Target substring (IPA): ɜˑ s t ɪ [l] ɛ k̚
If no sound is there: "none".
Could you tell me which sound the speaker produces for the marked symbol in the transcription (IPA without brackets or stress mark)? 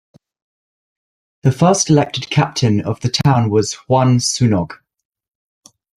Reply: l